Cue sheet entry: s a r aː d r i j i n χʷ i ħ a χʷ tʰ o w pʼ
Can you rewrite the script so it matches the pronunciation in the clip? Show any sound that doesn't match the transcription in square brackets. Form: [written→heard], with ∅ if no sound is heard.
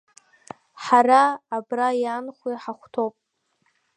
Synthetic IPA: [s→ħ] a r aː [d→b] r [i→a] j [i→a] n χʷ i ħ a χʷ tʰ o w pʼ

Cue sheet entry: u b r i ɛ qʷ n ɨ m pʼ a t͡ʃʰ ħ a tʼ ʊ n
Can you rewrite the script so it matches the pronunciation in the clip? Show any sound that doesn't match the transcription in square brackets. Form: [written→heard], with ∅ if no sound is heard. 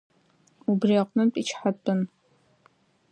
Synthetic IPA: u b r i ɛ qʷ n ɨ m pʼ [a→i] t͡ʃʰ ħ a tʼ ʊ n

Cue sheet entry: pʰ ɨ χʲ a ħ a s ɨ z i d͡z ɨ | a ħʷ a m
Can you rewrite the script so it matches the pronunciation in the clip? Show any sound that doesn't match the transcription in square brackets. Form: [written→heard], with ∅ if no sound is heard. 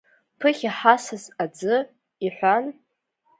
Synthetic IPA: pʰ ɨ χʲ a ħ a s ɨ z [i→a] d͡z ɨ | [a→i] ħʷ a [m→n]

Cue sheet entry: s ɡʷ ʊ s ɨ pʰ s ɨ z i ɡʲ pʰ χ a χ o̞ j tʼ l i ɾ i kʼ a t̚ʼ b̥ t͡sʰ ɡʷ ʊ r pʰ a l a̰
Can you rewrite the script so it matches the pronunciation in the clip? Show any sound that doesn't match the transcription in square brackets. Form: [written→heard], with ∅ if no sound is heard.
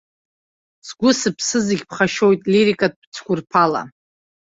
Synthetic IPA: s ɡʷ ʊ s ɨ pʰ s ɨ z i ɡʲ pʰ χ a [χ→ʃ] o̞ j tʼ l i ɾ i kʼ a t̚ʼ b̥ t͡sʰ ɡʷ ʊ r pʰ a l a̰

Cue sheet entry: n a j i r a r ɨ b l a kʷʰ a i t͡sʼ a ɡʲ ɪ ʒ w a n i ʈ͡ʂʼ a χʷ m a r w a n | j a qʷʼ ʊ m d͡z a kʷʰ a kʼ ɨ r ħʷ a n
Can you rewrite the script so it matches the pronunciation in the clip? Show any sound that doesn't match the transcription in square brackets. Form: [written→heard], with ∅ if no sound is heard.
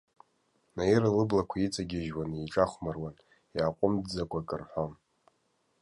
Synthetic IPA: n a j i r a [r→l] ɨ b l a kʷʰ a i t͡sʼ a ɡʲ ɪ ʒ w a n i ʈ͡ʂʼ a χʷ m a r w a n | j a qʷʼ ʊ m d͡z a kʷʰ a kʼ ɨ r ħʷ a n

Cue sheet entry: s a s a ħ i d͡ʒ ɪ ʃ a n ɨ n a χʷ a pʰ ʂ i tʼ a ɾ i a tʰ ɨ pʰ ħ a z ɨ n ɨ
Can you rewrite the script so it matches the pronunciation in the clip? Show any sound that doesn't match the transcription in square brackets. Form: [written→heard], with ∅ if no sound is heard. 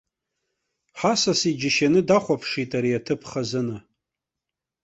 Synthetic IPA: [s→ħ] a s a [ħ→s] i d͡ʒ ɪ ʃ a n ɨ [n→d] a χʷ a pʰ ʂ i tʼ a ɾ i a tʰ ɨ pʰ [ħ→χ] a z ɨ n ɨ

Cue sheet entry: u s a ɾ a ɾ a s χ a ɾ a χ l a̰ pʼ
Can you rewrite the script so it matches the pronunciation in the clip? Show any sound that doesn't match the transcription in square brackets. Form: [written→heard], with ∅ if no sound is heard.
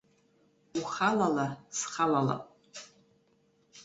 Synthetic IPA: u [s→χ] a [ɾ→l] a [ɾ→l] a s χ a [ɾ→l] a [χ→∅] l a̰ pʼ

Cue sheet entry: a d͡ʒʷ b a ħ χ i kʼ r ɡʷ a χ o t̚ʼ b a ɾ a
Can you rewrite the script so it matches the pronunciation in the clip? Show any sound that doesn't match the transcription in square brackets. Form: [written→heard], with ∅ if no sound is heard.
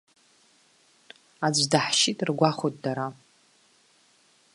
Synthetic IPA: a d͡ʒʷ [b→d] a ħ [χ→ʃ] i [kʼ→tʼ] r ɡʷ a χ o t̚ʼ [b→d] a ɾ a

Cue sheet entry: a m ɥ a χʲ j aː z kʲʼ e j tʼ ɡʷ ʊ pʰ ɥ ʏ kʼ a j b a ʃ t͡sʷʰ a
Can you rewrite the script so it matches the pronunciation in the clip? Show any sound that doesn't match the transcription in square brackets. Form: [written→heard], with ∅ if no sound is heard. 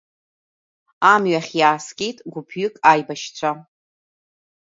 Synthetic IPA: a m ɥ a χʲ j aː [z→s] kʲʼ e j tʼ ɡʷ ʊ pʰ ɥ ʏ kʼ a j b a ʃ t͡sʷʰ a

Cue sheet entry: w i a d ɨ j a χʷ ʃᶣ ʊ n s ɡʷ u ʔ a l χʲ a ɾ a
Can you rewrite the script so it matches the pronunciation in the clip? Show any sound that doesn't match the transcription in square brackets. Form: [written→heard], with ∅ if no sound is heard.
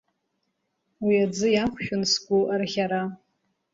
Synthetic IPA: w i a [d→d͡z] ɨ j a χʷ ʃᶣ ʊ n s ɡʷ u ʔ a [l→r] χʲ a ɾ a

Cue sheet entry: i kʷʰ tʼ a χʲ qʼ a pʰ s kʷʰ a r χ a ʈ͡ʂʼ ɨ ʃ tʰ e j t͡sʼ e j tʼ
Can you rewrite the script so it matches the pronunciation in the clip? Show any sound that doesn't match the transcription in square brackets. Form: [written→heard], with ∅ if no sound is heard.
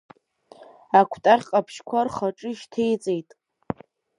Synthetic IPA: [i→a] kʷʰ tʼ a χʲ qʼ a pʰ [s→ʃ] kʷʰ a r χ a ʈ͡ʂʼ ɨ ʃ tʰ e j t͡sʼ e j tʼ

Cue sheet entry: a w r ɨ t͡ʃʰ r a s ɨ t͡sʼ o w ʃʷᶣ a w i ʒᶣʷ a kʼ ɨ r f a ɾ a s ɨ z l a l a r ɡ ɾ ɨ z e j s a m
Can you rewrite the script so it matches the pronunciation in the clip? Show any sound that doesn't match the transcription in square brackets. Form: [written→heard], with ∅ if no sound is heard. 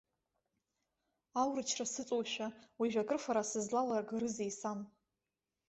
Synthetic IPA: a w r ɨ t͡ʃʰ r a s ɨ t͡sʼ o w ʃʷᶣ a w i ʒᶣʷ a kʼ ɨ r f a ɾ a s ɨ z l a l a r ɡ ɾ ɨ z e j s a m

